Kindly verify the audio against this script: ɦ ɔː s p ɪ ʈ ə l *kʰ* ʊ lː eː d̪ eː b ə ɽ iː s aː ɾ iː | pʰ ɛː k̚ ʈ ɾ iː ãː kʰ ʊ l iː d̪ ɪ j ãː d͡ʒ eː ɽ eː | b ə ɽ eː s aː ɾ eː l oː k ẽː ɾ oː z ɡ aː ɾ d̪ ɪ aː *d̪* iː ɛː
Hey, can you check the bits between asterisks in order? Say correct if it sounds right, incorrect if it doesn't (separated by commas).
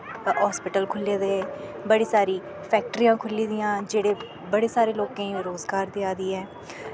correct, correct